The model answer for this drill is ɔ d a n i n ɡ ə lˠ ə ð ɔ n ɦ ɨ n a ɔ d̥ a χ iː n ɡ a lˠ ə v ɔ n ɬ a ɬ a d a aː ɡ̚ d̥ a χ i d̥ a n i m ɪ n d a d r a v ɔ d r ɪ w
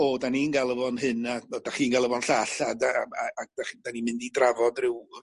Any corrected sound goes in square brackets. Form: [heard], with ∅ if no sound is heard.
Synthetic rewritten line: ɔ d a n i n ɡ [a] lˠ ə [v] ɔ n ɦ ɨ n a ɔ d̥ a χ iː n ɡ a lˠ ə v ɔ n ɬ a ɬ a d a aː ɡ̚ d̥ a χ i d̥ a n i m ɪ n d [i] d r a v ɔ d r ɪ w